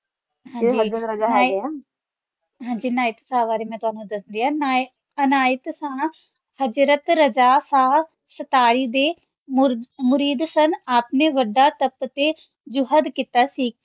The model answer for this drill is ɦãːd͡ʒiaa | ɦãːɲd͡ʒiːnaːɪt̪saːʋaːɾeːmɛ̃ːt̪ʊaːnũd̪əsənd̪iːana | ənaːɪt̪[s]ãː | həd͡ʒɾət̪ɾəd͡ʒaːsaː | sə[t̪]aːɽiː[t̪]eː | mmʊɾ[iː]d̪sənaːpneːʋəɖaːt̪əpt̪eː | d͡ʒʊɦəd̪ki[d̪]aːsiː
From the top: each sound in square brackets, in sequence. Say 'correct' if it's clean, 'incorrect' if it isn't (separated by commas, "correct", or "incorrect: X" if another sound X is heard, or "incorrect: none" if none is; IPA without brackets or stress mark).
correct, correct, incorrect: d̪, correct, incorrect: t̪